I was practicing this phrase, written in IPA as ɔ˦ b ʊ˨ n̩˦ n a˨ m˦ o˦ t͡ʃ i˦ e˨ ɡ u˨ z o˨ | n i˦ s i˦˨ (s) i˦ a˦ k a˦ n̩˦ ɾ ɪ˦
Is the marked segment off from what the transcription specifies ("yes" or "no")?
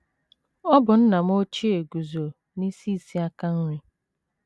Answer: no